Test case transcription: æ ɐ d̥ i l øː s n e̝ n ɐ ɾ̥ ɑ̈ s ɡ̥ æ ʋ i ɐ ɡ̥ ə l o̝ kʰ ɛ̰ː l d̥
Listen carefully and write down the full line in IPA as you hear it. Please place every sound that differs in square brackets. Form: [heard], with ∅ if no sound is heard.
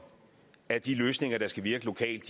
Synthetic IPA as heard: æ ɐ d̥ i l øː s n e̝ [ŋ] ɐ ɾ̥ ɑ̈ s ɡ̥ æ ʋ i ɐ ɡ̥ ə l o̝ kʰ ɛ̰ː l d̥